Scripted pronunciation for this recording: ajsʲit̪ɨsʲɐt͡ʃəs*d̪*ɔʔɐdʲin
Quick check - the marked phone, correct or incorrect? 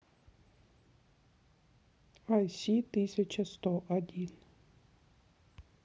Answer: incorrect